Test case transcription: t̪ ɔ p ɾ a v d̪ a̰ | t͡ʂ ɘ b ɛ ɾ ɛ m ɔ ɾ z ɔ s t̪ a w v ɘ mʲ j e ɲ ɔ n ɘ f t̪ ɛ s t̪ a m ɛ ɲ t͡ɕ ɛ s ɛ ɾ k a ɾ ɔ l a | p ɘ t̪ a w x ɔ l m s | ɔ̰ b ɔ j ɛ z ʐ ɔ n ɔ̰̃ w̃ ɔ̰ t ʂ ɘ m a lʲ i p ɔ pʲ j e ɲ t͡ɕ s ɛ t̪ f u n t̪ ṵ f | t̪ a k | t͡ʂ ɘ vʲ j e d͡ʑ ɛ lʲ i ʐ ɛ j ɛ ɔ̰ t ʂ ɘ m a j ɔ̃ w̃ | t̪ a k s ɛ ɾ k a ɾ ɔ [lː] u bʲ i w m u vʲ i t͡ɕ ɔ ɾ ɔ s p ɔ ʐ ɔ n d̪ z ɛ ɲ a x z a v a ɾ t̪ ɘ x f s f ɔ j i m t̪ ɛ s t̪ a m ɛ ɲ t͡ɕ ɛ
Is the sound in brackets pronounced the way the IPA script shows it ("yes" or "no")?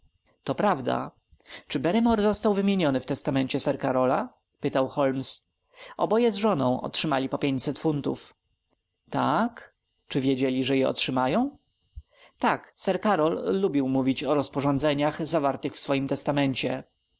yes